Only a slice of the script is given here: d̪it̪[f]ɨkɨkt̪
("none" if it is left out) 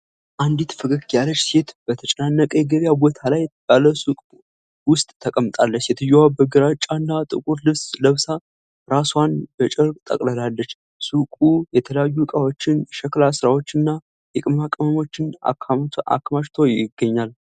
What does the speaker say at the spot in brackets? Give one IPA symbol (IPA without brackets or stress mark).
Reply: f